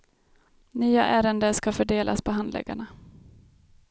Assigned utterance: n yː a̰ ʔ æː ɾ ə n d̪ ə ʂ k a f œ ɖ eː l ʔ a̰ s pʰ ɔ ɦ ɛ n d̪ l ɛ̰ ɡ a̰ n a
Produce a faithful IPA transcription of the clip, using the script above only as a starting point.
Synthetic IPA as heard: n yː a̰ ʔ æː ɾ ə n d̪ ə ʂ k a f œ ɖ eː l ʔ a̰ s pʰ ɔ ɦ a n d̪ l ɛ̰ ɡ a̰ ɳ a